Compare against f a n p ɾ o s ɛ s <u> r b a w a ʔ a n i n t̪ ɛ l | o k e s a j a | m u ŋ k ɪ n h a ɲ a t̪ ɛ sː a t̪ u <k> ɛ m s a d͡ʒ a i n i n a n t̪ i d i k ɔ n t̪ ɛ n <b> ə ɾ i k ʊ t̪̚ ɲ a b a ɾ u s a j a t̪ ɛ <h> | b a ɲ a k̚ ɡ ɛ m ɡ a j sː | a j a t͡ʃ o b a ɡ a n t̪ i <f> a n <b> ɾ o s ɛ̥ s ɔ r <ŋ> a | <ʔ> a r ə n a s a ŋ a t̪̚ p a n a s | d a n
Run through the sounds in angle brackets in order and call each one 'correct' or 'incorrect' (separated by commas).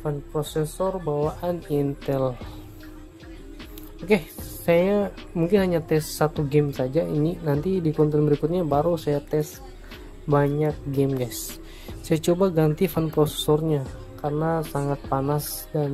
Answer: incorrect, incorrect, correct, incorrect, correct, incorrect, incorrect, incorrect